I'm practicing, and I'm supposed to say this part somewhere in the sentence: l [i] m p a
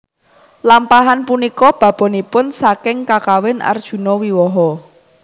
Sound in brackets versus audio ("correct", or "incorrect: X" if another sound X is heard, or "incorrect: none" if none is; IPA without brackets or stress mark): incorrect: a